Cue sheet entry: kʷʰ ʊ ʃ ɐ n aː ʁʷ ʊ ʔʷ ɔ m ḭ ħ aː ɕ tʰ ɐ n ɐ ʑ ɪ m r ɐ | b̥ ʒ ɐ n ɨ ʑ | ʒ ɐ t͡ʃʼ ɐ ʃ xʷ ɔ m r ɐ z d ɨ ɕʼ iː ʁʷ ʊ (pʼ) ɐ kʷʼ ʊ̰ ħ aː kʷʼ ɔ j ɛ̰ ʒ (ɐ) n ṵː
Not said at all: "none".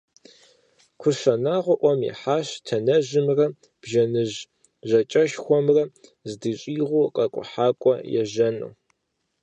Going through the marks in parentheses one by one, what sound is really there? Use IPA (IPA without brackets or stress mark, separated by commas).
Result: qʼ, ɐ